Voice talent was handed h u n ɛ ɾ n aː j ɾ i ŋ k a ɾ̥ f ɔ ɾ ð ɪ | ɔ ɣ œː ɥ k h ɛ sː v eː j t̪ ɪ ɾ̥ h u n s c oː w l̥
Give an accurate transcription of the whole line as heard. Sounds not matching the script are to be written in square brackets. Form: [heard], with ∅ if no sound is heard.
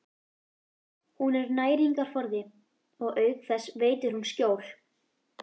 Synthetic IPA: h u n ɛ ɾ n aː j ɾ i ŋ k a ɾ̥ f ɔ ɾ ð ɪ | ɔ ɣ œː ɥ k [θ] ɛ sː v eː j t̪ ɪ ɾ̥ h u n s c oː w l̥